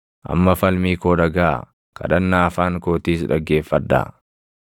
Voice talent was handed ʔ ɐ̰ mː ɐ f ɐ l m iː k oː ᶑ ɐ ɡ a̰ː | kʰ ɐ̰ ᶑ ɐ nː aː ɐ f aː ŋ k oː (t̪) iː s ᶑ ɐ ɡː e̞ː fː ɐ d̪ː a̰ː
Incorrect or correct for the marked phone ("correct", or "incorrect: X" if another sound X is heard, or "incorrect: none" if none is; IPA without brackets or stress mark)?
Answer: correct